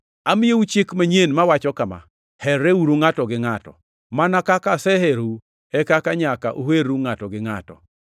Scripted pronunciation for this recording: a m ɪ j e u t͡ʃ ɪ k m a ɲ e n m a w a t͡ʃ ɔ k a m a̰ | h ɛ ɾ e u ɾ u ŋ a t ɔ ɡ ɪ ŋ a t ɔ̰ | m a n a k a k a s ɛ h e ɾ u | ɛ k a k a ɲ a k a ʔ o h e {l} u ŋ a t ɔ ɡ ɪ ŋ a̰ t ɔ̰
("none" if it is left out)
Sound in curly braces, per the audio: ɾ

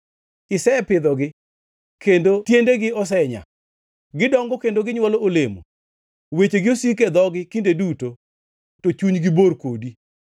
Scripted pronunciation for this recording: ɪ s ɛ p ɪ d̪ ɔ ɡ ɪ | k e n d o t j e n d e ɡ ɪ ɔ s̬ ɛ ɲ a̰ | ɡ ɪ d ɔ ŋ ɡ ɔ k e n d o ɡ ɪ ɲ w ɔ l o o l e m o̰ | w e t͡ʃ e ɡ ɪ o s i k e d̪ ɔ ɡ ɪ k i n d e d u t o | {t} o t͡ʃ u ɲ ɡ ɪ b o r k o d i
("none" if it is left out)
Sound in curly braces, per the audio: t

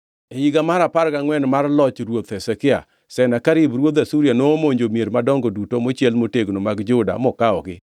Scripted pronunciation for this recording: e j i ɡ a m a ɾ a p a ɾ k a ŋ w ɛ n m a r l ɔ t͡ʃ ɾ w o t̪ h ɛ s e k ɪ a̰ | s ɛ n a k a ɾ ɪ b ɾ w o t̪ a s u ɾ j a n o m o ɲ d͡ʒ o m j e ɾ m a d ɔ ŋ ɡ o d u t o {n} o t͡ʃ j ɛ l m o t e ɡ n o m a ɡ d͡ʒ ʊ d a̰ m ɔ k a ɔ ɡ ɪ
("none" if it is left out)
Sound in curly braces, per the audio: m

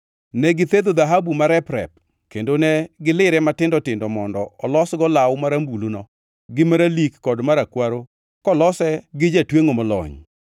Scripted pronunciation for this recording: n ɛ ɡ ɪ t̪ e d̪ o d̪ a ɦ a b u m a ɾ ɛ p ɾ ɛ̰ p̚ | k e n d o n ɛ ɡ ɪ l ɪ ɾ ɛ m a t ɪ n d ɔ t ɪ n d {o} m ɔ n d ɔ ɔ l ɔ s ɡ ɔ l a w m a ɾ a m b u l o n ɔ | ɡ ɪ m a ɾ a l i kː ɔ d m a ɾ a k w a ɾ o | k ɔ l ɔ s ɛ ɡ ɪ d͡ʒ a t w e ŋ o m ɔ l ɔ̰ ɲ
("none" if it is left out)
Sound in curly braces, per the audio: ɔ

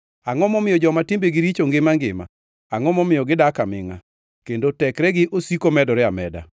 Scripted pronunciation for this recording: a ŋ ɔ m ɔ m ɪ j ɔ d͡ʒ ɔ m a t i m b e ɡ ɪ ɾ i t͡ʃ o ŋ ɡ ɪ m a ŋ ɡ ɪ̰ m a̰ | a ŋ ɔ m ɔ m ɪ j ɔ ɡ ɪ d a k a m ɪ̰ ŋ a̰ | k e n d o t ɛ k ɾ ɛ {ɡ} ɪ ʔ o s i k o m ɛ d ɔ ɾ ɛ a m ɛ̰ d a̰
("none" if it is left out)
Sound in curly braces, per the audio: ɡ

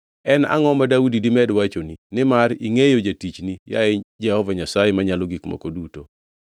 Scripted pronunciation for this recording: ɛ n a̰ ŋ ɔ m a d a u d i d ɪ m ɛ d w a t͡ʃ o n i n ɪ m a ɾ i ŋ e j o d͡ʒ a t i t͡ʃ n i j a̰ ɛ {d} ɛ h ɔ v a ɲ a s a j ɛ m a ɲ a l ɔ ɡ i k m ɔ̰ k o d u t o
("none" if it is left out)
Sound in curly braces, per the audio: d͡ʒ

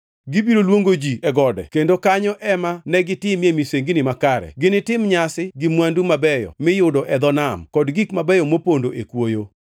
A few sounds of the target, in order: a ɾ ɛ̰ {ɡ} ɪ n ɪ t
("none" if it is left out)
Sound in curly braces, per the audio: ɡ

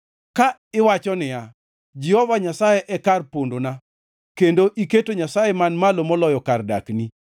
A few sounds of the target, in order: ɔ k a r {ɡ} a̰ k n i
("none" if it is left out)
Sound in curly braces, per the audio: d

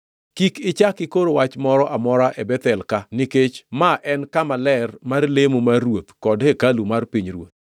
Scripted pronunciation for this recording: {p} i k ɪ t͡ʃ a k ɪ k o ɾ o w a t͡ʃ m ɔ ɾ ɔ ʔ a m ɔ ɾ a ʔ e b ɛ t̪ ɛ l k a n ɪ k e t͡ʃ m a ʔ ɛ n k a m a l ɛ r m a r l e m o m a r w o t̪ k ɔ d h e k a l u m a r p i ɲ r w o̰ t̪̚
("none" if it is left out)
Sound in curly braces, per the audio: k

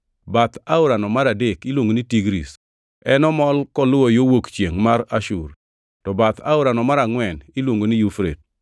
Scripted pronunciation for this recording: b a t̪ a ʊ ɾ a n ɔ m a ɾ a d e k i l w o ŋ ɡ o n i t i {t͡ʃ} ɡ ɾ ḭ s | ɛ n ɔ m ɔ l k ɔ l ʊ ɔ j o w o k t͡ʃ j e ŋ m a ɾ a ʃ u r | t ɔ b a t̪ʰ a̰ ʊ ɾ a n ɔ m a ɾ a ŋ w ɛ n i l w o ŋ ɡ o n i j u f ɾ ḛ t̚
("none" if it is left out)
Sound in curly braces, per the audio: none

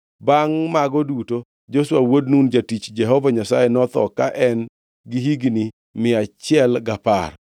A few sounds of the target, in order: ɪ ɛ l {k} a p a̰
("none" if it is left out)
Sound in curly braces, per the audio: ɡ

